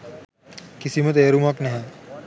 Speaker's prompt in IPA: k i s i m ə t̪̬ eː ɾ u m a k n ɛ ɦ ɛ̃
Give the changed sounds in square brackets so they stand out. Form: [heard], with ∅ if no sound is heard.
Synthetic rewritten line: k i s i m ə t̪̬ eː ɾ u m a k n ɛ ɦ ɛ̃